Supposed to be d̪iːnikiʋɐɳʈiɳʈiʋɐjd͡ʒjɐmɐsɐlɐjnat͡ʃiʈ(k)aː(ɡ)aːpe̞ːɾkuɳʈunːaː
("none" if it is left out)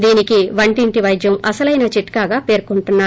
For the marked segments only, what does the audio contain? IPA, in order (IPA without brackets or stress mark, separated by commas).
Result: k, ɡ